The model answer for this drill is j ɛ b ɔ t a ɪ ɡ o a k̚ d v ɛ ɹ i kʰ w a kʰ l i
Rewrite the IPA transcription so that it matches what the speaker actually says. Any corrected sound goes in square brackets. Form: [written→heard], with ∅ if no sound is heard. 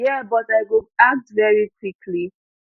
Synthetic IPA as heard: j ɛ b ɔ t a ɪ ɡ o a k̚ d v ɛ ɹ i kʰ w [a→i] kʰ l i